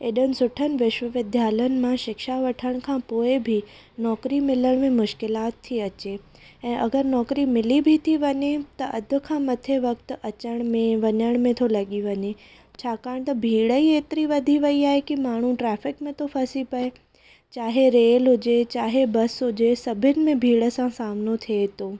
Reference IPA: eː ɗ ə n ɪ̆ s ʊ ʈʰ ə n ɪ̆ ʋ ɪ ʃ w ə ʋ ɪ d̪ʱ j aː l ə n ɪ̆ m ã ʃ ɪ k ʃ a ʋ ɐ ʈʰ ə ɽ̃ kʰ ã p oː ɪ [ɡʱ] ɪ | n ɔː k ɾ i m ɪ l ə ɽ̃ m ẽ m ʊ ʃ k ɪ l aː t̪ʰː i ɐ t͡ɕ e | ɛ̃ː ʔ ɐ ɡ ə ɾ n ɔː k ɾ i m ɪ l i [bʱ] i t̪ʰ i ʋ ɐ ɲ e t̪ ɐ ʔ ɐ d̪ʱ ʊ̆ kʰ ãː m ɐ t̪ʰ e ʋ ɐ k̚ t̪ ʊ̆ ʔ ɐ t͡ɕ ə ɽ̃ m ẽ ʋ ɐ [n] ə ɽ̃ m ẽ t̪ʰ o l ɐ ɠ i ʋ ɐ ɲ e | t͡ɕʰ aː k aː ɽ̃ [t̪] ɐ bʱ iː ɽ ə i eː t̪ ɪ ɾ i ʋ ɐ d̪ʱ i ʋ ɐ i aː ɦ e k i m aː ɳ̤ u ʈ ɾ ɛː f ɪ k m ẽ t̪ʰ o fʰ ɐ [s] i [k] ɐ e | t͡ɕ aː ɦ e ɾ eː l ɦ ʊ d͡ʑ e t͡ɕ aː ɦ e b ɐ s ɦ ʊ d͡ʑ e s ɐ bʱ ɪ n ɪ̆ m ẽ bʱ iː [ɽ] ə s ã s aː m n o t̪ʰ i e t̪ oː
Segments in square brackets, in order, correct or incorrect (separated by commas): incorrect, correct, incorrect, correct, correct, incorrect, correct